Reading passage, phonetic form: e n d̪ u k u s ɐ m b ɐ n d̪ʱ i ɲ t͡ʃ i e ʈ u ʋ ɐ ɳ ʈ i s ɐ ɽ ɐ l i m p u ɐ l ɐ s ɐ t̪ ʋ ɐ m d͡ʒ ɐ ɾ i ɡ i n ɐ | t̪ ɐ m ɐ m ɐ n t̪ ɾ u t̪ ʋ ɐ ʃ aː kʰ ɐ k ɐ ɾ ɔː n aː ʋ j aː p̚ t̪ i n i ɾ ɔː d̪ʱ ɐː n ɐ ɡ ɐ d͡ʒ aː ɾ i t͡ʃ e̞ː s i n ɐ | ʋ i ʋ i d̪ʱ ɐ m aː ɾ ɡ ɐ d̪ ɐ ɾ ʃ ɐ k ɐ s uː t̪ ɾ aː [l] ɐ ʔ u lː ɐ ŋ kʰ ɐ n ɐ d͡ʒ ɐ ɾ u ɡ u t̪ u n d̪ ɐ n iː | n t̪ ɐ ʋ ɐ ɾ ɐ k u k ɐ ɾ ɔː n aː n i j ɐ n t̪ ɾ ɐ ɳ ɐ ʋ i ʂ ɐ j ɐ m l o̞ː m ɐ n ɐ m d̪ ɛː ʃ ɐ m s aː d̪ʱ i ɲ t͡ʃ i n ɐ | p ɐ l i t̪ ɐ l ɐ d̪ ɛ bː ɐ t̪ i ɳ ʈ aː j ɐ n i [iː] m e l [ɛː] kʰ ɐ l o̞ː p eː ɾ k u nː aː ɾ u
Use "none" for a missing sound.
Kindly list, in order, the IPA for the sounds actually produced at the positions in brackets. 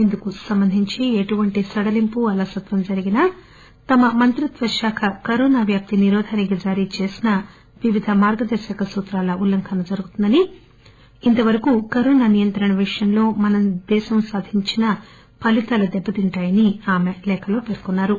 l, aː, ɛː

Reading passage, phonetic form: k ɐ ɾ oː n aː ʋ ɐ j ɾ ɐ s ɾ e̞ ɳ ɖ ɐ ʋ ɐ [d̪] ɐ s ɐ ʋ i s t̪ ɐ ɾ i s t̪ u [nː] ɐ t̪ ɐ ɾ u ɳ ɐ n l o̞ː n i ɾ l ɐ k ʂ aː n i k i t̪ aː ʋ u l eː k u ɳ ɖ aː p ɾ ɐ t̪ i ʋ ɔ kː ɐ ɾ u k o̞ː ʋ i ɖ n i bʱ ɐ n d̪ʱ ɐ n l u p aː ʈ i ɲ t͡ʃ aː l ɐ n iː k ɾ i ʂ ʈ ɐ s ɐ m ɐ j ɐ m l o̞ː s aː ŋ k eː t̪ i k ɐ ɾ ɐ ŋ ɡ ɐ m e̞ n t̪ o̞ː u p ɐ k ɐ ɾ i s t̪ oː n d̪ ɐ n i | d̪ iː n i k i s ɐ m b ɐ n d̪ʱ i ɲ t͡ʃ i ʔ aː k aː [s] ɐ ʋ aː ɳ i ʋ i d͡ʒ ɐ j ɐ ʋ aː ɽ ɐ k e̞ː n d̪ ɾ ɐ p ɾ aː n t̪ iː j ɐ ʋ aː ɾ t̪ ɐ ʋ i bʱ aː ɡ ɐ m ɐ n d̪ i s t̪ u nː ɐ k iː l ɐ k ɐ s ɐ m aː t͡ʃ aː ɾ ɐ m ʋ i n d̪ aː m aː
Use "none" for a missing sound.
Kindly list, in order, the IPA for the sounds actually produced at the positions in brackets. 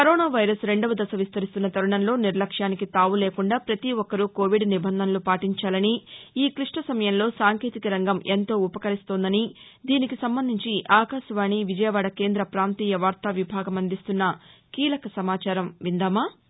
d̪, nː, ʃ

